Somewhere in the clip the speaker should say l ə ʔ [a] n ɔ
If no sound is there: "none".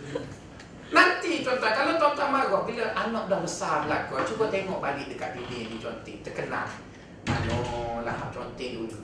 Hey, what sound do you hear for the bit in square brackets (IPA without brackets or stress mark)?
a